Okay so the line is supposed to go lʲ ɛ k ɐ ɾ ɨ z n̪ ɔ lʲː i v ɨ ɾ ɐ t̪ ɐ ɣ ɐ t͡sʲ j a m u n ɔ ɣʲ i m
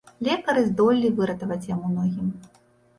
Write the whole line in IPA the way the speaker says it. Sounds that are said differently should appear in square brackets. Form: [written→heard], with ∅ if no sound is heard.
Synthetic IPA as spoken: lʲ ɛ k ɐ ɾ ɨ z [n̪→d̪] ɔ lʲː i v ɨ ɾ ɐ t̪ ɐ [ɣ→v] ɐ t͡sʲ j a m u n ɔ ɣʲ i m

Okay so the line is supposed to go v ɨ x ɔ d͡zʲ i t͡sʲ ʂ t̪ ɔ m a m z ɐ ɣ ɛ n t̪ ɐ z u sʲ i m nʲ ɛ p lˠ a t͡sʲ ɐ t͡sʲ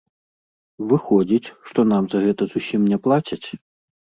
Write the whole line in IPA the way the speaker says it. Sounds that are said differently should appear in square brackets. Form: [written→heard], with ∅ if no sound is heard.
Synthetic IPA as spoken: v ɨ x ɔ d͡zʲ i t͡sʲ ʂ t̪ ɔ [m→n] a m z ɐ ɣ ɛ [n→∅] t̪ ɐ z u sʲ i m nʲ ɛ p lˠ a t͡sʲ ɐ t͡sʲ

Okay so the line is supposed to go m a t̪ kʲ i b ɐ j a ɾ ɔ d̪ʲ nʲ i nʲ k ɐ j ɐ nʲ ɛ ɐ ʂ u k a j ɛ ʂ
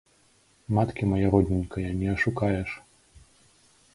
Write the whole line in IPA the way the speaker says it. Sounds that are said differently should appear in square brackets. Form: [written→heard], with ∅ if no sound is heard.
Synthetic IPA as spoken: m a t̪ kʲ i [b→m] ɐ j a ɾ ɔ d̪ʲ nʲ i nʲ k ɐ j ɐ nʲ ɛ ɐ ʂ u k a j ɛ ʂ

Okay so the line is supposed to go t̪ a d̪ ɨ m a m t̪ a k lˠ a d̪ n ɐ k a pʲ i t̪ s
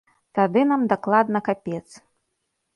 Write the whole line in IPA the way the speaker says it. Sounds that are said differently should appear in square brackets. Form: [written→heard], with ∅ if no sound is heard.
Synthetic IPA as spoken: t̪ a d̪ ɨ [m→n] a m [t̪→d̪] a k lˠ a d̪ n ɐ k a pʲ [i→ɛ] t̪ s

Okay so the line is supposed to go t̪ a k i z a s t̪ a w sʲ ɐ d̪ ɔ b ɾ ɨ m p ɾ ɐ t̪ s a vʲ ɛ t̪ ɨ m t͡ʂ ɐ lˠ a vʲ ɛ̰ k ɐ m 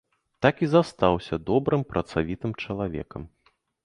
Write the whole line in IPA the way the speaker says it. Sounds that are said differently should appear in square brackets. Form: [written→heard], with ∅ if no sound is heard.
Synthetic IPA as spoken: t̪ a k i z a s t̪ a w sʲ ɐ d̪ ɔ b ɾ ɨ m p ɾ ɐ t̪ s a vʲ [ɛ→i] t̪ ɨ m t͡ʂ ɐ lˠ a vʲ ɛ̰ k ɐ m

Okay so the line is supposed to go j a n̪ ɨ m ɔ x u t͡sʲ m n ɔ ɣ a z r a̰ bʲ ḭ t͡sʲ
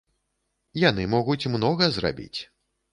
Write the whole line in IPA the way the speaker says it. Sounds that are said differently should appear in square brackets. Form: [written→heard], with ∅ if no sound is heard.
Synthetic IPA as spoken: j a n̪ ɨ m ɔ [x→ɣ] u t͡sʲ m n ɔ ɣ [a→ɐ] z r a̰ bʲ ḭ t͡sʲ

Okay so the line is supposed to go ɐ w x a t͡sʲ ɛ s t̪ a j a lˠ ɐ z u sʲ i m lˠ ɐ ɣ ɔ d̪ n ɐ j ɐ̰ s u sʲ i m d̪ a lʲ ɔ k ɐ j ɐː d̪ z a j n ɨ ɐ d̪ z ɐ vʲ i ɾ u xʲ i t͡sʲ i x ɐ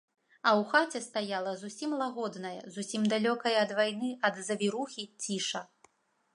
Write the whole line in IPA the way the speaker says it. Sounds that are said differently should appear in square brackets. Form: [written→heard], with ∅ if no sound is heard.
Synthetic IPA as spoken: ɐ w x a t͡sʲ ɛ s t̪ a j a lˠ ɐ z u sʲ i m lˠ [ɐ→a] ɣ ɔ d̪ n ɐ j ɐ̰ [s→z] u sʲ i m d̪ a lʲ ɔ k ɐ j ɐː d̪ [z→v] a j n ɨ ɐ d̪ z ɐ vʲ i ɾ u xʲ i t͡sʲ i [x→ʂ] ɐ

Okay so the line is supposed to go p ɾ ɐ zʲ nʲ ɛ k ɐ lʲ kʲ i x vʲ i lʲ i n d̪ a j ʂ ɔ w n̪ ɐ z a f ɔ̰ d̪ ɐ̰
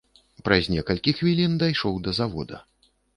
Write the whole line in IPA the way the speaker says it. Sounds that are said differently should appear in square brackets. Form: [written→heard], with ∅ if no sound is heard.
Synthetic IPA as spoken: p ɾ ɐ zʲ nʲ ɛ k ɐ lʲ kʲ i x vʲ i lʲ i n d̪ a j ʂ ɔ w [n̪→d̪] ɐ z a [f→v] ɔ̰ d̪ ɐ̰

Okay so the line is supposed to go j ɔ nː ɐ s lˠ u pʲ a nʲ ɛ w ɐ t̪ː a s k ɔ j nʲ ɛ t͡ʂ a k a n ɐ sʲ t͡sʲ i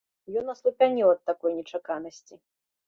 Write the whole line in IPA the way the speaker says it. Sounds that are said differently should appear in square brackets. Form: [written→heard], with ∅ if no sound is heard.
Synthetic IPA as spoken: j ɔ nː ɐ s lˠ u pʲ a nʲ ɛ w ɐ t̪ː a [s→∅] k ɔ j nʲ ɛ t͡ʂ a k a n ɐ sʲ t͡sʲ i

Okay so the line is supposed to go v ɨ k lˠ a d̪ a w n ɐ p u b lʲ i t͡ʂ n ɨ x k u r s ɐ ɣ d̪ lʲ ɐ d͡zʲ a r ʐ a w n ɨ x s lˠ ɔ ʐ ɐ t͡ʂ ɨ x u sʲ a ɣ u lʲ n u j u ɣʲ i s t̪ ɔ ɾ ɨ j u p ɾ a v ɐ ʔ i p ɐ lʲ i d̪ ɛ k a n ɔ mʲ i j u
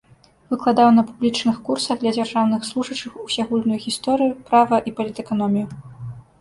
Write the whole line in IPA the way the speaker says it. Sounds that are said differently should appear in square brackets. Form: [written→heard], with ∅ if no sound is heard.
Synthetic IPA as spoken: v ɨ k lˠ a d̪ a w n ɐ p u b lʲ i t͡ʂ n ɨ x k u r s ɐ ɣ d̪ lʲ ɐ d͡zʲ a r ʐ a w n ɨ x s lˠ [ɔ→u] ʐ ɐ t͡ʂ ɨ x u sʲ a ɣ u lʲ n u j u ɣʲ i s t̪ ɔ ɾ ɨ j u p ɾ a v ɐ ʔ i p ɐ lʲ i [d̪→t̪] ɛ k a n ɔ mʲ i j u

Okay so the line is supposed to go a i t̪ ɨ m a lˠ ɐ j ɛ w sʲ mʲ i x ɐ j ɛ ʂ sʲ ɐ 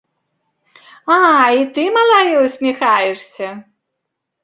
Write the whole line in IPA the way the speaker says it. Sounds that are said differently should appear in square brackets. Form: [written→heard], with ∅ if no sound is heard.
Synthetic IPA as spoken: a i t̪ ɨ m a lˠ [ɐ→a] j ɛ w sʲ mʲ i x [ɐ→a] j ɛ ʂ sʲ ɐ

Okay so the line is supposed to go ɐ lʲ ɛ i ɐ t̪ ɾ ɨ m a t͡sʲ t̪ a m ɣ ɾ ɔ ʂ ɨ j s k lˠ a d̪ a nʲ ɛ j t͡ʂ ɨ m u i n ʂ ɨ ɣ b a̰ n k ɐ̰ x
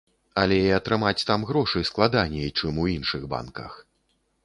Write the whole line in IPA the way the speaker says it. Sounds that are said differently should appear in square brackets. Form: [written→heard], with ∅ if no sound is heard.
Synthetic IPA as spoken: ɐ lʲ ɛ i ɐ t̪ ɾ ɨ m a t͡sʲ t̪ a m ɣ ɾ ɔ ʂ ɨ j s k lˠ a d̪ a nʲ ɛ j t͡ʂ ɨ m u i n ʂ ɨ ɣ b a̰ n k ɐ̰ x

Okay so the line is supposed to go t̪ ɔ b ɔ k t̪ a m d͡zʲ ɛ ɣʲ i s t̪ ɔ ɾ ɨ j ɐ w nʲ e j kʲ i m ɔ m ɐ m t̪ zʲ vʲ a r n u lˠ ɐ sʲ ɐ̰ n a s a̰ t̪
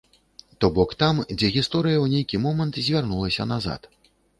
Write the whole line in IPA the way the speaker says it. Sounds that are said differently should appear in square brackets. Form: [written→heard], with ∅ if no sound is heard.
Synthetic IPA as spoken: t̪ ɔ b ɔ k t̪ a m d͡zʲ ɛ ɣʲ i s t̪ ɔ ɾ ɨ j ɐ w nʲ e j kʲ i m ɔ m ɐ [m→n] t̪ zʲ vʲ a r n u lˠ ɐ sʲ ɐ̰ n a [s→z] a̰ t̪

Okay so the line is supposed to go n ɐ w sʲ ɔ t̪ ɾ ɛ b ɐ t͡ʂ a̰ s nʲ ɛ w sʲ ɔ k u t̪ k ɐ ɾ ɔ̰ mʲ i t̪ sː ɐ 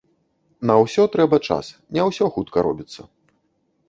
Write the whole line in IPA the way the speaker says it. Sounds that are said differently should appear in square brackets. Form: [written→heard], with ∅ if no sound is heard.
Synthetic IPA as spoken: n ɐ w sʲ ɔ t̪ ɾ ɛ b ɐ t͡ʂ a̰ s nʲ ɛ w sʲ ɔ [k→x] u t̪ k ɐ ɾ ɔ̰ [mʲ→bʲ] i t̪ sː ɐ

